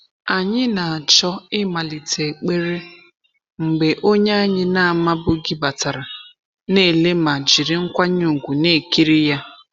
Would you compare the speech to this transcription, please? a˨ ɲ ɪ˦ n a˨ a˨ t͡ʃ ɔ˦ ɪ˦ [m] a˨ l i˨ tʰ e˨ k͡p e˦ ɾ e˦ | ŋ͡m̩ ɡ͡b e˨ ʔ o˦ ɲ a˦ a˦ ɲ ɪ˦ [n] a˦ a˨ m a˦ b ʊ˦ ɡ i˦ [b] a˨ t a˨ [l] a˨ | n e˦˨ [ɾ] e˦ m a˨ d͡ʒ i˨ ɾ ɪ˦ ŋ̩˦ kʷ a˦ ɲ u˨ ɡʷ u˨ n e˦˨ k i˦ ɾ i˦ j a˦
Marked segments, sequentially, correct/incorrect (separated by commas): correct, correct, correct, incorrect, incorrect